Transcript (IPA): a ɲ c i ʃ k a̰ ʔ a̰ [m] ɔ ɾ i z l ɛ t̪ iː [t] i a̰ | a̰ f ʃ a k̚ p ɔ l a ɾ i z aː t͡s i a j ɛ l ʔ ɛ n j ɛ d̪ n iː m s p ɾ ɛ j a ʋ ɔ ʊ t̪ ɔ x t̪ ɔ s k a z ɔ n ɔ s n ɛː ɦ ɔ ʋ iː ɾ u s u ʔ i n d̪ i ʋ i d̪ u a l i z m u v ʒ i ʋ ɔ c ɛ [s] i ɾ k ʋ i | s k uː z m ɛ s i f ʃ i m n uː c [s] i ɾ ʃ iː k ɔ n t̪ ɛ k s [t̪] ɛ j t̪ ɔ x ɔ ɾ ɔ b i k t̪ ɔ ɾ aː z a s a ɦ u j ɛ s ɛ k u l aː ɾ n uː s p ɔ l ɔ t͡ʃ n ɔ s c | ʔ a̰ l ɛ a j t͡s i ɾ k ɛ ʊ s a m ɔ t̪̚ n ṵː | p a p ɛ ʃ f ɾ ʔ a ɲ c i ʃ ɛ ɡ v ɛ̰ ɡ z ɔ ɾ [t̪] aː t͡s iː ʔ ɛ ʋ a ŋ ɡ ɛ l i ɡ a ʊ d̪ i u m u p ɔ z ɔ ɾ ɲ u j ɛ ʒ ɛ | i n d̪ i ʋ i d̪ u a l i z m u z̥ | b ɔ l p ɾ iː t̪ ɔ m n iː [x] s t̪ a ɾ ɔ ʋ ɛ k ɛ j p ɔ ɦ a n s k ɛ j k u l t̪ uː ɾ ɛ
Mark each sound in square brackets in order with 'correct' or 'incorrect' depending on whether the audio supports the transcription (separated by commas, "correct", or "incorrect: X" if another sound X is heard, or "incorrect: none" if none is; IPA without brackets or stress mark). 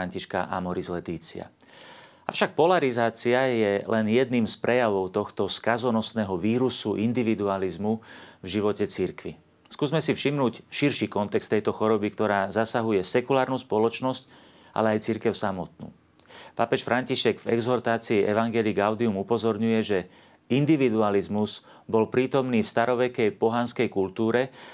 correct, incorrect: t͡s, incorrect: t͡s, incorrect: ʃ, correct, correct, incorrect: f